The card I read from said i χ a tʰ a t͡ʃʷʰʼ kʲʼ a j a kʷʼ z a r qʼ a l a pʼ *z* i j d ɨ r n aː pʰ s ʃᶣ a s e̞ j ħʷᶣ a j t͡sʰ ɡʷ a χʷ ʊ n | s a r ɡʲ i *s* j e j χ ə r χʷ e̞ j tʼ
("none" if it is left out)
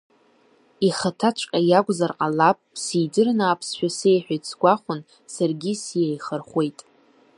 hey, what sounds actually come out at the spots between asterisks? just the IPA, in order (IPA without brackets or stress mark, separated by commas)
s, s